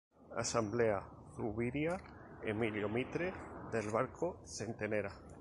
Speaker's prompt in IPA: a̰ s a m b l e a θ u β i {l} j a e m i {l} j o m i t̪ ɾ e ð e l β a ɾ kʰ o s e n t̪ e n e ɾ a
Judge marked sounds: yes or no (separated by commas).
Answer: no, yes